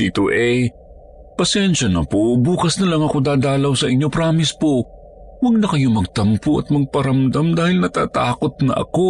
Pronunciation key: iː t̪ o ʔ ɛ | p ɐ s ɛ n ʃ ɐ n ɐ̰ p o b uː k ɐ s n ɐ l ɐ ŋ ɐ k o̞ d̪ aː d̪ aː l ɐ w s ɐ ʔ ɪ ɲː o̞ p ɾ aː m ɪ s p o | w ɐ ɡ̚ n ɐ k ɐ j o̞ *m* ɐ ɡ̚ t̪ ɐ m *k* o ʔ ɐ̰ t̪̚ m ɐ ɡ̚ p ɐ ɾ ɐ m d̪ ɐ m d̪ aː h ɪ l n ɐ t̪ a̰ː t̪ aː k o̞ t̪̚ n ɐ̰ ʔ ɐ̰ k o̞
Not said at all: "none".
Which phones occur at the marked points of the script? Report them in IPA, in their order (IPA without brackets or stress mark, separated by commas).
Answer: m, p